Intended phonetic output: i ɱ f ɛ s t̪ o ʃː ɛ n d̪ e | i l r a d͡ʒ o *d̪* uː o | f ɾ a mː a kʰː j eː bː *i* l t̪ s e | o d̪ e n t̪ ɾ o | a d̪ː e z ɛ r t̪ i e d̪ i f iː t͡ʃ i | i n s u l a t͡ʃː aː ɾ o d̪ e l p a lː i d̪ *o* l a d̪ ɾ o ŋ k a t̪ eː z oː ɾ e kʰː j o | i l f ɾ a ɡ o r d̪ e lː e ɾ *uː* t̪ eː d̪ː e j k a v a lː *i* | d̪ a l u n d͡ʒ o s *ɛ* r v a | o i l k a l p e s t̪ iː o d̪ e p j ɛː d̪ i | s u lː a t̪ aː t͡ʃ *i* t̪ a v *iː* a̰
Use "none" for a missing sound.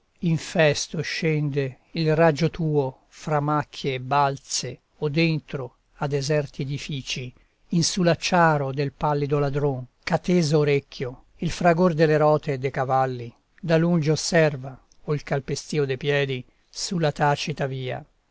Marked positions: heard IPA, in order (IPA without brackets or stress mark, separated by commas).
t̪, a, o, ɔː, i, ɛ, i, iː